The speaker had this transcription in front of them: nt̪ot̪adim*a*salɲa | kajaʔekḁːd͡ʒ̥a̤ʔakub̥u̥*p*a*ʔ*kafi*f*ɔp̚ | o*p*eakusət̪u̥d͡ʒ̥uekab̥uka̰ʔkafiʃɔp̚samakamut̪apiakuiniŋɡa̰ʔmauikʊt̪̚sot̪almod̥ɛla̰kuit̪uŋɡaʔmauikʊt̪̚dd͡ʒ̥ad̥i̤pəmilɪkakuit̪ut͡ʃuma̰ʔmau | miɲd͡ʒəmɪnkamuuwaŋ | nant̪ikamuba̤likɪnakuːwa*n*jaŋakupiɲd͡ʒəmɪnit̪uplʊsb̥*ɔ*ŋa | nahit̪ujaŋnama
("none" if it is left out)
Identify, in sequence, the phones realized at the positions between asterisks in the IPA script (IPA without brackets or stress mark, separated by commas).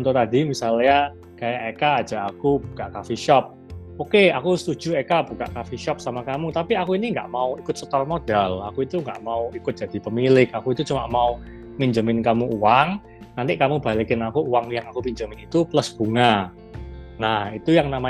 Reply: i, k, ʔ, ʃ, k, ŋ, u